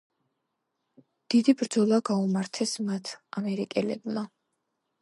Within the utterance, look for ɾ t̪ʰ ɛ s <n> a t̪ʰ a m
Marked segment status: incorrect: m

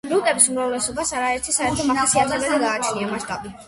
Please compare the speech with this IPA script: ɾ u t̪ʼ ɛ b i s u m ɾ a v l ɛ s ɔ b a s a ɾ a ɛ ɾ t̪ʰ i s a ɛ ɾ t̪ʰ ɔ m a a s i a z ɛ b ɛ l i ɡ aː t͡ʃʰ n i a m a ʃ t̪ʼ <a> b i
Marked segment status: correct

